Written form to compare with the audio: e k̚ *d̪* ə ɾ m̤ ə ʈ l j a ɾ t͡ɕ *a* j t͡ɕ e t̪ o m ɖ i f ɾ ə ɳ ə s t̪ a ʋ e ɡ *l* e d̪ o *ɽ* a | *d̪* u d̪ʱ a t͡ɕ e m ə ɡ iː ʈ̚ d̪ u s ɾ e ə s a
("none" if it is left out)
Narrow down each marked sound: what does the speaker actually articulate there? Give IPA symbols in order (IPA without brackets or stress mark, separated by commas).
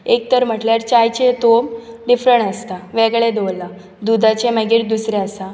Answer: t̪, a, ɭ, l, d̪